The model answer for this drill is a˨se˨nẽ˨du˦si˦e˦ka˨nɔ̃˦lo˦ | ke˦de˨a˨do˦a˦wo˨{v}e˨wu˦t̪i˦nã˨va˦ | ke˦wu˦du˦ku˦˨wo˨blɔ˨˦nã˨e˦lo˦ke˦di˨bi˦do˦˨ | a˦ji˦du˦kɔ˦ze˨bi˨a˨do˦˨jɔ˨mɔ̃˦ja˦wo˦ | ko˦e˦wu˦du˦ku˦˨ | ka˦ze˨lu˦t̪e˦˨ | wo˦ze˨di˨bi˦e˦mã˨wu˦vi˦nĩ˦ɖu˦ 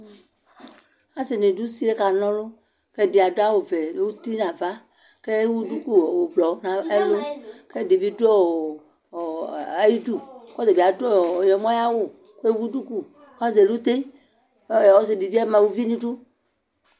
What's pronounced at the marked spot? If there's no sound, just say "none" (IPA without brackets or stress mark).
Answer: v